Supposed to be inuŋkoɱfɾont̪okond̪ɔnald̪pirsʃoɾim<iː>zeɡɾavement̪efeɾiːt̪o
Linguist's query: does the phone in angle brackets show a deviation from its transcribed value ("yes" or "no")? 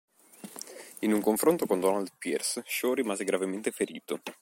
yes